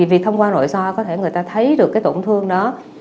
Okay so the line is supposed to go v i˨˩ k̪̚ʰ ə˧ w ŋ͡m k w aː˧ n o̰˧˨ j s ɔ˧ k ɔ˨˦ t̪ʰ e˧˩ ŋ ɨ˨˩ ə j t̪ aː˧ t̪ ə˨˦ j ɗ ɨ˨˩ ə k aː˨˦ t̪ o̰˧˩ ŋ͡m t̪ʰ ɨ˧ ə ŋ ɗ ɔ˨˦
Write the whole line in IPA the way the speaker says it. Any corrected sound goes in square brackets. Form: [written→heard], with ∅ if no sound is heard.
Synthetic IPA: v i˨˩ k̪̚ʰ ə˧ w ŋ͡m k w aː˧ n o̰˧˨ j s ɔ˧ k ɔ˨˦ t̪ʰ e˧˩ ŋ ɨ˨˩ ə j t̪ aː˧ [t̪→t̪ʰ] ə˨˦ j ɗ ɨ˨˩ ə k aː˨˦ t̪ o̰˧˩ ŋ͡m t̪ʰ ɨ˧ ə ŋ ɗ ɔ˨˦